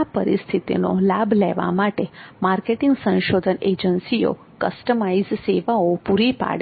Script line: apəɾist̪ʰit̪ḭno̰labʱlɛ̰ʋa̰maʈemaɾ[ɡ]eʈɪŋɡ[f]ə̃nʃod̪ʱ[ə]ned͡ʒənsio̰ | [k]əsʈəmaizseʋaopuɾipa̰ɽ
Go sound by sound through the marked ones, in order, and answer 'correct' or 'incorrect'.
incorrect: k, incorrect: s, correct, correct

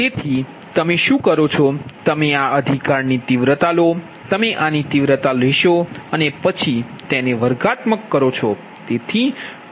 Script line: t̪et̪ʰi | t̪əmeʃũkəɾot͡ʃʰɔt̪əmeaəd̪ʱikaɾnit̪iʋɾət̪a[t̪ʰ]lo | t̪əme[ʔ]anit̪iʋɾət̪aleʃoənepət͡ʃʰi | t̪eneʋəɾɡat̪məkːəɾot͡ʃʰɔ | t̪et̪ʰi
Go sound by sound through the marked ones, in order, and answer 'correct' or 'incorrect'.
incorrect: none, correct

